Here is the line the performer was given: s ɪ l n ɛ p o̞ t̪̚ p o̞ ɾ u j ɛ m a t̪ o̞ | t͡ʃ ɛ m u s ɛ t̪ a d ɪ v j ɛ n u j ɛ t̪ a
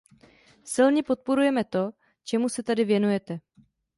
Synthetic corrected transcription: s ɪ l ɲ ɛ p o̞ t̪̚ p o̞ ɾ u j ɛ m ɛ t̪ o̞ | t͡ʃ ɛ m u s ɛ t̪ a d ɪ v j ɛ n u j ɛ t̪ ɛ

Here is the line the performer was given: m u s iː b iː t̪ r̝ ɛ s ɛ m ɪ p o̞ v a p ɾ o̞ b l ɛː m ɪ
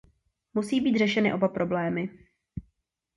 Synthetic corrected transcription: m u s iː b iː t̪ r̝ ɛ ʃ ɛ n ɪ ʔ o̞ b a p ɾ o̞ b l ɛː m ɪ

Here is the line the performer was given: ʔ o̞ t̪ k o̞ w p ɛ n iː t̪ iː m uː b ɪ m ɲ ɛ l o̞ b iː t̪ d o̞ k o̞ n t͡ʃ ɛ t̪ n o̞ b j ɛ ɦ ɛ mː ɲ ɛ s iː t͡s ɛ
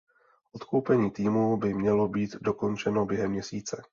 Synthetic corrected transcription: ʔ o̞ t̪ k o̞ w p ɛ ɲ iː t̪ iː m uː b ɪ m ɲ ɛ l o̞ b iː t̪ d o̞ k o̞ n t͡ʃ ɛ n o̞ b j ɛ ɦ ɛ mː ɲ ɛ s iː t͡s ɛ

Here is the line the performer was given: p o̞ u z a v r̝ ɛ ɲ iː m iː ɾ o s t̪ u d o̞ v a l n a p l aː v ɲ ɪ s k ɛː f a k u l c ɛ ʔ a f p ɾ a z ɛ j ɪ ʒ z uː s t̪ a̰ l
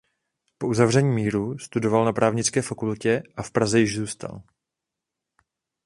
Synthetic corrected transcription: p o̞ u z a v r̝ ɛ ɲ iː m iː ɾ u s t̪ u d o̞ v a l n a p ɾ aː v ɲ ɪ t͡s k ɛː f a k u l c ɛ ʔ a f p ɾ a z ɛ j ɪ ʒ z uː s t̪ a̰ l

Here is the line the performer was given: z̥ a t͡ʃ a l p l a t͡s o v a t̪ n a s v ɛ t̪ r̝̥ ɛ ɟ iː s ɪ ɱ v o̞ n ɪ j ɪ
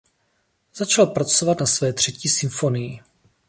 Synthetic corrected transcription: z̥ a t͡ʃ a l p ɾ a t͡s o v a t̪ n a s v ɛː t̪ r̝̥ ɛ c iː s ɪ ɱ f o̞ n ɪ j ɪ

